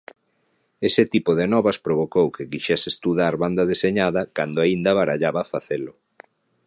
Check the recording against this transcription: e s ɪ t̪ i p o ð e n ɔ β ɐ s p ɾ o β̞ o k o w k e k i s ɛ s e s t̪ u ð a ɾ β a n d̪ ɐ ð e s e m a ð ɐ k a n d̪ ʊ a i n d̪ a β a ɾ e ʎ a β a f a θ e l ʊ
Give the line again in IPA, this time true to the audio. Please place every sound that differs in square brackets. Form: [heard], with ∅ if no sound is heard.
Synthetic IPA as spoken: e s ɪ t̪ i p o ð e n ɔ β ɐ s p ɾ o β̞ o k o w k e k i [ʃ] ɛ s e s t̪ u ð a ɾ β a n d̪ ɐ ð e s e [ɲ] a ð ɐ k a n d̪ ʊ a i n d̪ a β a ɾ [a] ʎ a β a f a θ e l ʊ